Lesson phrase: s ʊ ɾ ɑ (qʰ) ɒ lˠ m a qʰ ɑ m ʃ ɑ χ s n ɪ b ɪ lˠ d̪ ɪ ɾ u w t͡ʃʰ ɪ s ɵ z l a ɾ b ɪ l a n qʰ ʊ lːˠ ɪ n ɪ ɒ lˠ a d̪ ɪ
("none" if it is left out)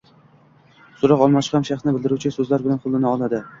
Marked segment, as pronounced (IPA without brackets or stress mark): q